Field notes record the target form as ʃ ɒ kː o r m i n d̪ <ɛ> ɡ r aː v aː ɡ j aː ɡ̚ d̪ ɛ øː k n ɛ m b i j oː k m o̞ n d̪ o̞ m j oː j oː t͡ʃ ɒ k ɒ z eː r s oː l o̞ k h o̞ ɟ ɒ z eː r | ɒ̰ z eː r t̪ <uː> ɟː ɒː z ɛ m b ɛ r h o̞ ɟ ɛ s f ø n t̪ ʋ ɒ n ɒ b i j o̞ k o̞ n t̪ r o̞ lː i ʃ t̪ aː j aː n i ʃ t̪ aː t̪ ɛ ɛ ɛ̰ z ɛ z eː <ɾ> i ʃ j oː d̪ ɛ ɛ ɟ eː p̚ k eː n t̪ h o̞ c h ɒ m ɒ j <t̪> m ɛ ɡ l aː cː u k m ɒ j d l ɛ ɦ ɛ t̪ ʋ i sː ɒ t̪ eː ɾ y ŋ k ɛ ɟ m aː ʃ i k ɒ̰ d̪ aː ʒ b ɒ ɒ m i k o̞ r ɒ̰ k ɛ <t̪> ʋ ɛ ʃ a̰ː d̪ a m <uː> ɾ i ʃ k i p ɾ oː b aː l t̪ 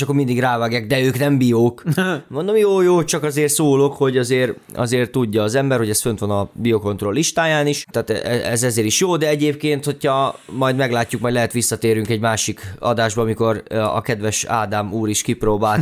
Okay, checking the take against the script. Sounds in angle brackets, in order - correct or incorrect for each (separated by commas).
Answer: incorrect, incorrect, correct, incorrect, incorrect, correct